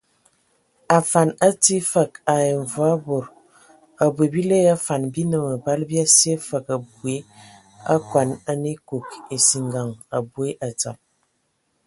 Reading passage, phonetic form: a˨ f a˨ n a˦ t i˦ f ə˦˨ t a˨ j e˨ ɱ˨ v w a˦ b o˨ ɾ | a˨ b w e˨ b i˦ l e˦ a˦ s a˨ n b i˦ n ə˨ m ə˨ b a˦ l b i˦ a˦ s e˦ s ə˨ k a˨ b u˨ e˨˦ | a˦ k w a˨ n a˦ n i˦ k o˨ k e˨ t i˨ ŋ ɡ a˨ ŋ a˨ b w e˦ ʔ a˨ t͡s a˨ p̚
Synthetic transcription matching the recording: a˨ f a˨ n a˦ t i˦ f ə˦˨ k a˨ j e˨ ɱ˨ v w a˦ b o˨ ɾ | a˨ b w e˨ b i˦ l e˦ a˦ f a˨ n b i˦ n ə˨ m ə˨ b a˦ l b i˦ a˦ s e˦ f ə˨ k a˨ b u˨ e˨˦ | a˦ k w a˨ n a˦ n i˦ k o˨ k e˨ s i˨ ŋ ɡ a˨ ŋ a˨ b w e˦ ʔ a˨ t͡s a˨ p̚